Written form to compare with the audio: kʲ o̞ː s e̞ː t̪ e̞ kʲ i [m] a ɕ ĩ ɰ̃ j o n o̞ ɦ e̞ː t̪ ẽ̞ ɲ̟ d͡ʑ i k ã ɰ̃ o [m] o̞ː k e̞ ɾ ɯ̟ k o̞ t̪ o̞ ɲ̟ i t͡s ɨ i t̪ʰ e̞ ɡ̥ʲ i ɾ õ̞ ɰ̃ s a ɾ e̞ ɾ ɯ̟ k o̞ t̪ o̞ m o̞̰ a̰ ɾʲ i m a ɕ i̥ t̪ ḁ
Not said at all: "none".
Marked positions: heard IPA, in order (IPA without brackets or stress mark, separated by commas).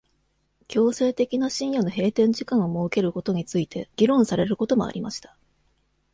n, m